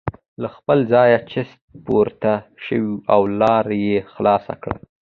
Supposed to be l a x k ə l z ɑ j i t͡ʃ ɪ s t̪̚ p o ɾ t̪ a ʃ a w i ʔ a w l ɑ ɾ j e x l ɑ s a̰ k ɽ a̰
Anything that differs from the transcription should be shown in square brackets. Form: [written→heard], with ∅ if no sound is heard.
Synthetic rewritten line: l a x [k→p] ə l z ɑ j [i→a] t͡ʃ ɪ s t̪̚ p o ɾ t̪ a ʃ [a→ə] w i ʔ a w l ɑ ɾ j e x l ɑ s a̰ k ɽ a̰